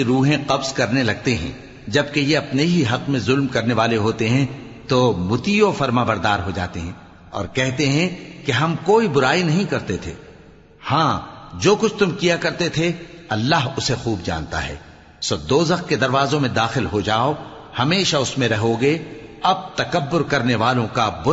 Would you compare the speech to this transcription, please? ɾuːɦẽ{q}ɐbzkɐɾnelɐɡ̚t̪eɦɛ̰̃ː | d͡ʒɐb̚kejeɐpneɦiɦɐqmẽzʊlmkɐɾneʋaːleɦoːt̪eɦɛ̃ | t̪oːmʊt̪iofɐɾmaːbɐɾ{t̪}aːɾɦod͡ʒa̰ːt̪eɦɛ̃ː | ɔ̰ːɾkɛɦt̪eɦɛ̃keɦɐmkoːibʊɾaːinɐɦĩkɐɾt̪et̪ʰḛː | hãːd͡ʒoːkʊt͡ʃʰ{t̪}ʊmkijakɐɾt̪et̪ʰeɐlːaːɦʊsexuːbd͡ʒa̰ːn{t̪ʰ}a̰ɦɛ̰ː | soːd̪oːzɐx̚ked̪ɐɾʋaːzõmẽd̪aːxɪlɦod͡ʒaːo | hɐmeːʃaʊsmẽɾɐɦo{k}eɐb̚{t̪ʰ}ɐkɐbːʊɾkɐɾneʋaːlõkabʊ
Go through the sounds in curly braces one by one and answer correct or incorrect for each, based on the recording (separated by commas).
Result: correct, incorrect, correct, incorrect, incorrect, incorrect